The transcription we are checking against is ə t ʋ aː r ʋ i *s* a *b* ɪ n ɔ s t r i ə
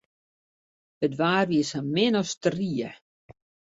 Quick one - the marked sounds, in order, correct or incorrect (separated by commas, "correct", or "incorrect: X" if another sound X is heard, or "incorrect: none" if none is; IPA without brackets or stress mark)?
correct, incorrect: m